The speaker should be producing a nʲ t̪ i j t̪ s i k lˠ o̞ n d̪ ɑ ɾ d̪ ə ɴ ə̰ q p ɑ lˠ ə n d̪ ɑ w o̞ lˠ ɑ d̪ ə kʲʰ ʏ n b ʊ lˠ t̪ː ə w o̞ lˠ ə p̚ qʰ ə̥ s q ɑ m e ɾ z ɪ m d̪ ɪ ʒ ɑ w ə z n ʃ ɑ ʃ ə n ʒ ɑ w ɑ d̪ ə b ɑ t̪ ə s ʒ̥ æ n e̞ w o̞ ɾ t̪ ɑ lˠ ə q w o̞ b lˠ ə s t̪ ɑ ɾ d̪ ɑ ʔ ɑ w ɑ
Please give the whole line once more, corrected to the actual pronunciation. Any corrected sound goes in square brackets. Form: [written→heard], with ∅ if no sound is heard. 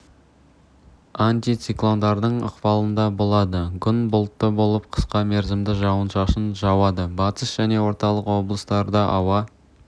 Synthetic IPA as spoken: a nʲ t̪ i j t̪ s i k lˠ o̞ n d̪ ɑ ɾ d̪ ə ɴ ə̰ q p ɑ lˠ ə n d̪ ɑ [w→b] o̞ lˠ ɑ d̪ ə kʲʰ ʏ n b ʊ lˠ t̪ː ə [w→b] o̞ lˠ ə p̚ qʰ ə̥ s q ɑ m e ɾ z ɪ m d̪ ɪ ʒ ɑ w ə [z→∅] n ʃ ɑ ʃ ə n ʒ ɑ w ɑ d̪ ə b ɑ t̪ ə s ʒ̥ æ n e̞ w o̞ ɾ t̪ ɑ lˠ ə q w o̞ b lˠ ə s t̪ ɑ ɾ d̪ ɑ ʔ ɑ w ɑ